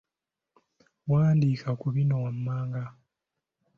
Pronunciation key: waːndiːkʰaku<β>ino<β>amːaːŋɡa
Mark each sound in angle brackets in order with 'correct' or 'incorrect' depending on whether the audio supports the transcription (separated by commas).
correct, incorrect